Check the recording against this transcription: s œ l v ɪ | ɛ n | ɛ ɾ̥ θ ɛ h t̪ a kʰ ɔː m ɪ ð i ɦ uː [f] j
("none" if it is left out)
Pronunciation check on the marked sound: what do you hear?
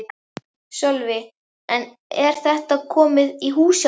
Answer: s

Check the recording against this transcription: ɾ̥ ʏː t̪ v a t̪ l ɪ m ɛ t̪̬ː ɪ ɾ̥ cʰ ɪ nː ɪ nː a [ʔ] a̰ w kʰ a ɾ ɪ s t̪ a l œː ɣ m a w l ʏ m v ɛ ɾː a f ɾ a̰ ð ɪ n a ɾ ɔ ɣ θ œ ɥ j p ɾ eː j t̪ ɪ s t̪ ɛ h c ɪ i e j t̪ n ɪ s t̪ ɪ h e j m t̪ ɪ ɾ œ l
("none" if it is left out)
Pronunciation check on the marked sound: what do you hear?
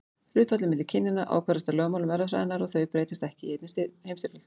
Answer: ʔ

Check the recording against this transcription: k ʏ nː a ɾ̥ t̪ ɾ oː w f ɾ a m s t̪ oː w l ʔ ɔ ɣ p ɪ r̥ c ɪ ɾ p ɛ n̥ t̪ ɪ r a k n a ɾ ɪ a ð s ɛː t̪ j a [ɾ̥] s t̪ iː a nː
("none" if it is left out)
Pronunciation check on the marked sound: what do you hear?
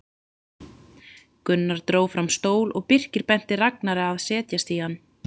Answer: none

